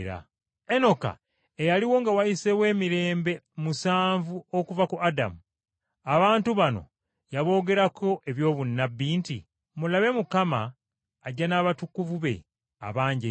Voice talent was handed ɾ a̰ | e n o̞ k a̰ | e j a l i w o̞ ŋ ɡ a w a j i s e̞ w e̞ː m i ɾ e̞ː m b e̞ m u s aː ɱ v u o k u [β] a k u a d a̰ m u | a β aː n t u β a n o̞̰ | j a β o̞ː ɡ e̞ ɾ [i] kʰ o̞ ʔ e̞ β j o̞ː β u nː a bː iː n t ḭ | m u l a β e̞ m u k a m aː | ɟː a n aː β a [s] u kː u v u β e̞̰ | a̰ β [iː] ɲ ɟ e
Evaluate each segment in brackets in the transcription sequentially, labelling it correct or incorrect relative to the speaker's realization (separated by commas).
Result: incorrect, incorrect, incorrect, incorrect